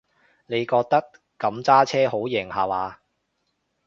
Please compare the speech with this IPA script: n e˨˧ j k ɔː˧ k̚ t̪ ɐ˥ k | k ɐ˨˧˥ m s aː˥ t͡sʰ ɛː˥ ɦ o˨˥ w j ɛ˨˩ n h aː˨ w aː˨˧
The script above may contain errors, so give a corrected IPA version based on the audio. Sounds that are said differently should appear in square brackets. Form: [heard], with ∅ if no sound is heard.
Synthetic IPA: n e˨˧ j k ɔː˧ k̚ t̪ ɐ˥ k | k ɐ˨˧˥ m [t͡s] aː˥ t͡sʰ ɛː˥ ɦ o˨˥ w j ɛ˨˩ [ŋ] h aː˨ w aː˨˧